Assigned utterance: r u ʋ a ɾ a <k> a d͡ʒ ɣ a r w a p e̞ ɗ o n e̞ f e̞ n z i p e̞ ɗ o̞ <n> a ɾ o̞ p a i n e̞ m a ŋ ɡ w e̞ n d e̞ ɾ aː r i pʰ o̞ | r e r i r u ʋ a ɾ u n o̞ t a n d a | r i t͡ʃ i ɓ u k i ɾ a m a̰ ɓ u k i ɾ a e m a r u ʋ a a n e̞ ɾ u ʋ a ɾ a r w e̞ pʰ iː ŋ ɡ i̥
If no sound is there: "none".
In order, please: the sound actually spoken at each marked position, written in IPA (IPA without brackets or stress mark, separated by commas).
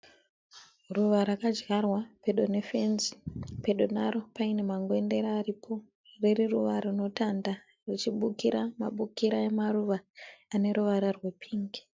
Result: k, n